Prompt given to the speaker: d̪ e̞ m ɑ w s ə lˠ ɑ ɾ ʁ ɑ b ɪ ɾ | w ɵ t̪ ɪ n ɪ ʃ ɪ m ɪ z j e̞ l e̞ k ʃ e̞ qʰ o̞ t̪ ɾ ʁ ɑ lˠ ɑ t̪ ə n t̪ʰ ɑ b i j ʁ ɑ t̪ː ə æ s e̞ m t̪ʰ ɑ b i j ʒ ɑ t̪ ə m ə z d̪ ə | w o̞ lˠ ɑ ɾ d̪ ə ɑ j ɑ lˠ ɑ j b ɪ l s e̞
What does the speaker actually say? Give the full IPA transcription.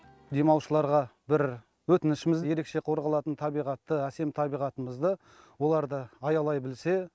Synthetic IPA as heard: d̪ e̞ m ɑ w ʃ ə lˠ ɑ ɾ ʁ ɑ b ɪ ɾ | w ɵ t̪ ɪ n ɪ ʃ ɪ m ɪ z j e̞ ɾ e̞ k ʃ e̞ qʰ o̞ ɾ ʁ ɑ lˠ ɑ t̪ ə n t̪ʰ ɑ b i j ʁ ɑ t̪ː ə æ s e̞ m t̪ʰ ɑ b i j ʁ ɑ t̪ ə m ə z d̪ ə | w o̞ lˠ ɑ ɾ d̪ ə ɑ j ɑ lˠ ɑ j b ɪ l s e̞